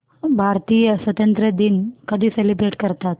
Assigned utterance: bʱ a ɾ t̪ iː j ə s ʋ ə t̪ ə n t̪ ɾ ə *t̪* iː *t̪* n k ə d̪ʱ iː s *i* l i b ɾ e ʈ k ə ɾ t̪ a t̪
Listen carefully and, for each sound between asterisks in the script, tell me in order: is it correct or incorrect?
incorrect, incorrect, incorrect

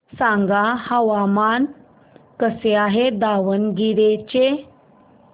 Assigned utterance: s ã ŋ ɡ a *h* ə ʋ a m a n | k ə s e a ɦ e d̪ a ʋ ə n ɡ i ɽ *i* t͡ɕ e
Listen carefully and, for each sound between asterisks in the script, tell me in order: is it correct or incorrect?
correct, incorrect

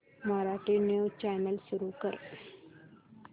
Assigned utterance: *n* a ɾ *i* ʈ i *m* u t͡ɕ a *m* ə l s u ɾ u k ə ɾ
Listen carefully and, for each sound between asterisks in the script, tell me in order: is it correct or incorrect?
incorrect, incorrect, incorrect, incorrect

